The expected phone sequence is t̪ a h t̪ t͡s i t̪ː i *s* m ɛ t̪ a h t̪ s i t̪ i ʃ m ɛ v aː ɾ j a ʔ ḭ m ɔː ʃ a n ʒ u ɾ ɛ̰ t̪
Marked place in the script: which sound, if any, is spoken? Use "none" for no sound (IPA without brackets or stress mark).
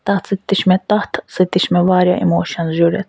ʃ